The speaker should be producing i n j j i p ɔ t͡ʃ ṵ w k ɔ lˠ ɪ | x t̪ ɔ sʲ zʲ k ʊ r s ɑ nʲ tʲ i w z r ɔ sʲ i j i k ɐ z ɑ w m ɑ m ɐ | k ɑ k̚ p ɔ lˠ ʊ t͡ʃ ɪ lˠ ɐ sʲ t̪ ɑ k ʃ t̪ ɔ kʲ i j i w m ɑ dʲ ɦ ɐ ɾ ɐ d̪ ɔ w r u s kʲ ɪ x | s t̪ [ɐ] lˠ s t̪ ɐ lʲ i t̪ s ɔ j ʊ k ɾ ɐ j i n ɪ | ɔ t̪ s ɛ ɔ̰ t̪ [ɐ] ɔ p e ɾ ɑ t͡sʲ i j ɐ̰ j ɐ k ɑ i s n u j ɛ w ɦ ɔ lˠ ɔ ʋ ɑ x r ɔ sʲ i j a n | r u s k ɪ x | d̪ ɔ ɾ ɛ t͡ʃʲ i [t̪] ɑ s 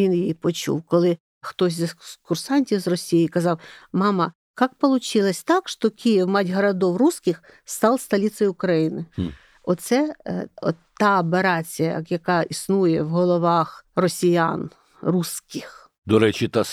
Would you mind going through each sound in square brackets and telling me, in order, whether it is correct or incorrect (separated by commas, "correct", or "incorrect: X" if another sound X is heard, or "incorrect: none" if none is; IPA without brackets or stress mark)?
incorrect: ɑ, incorrect: ɑ, correct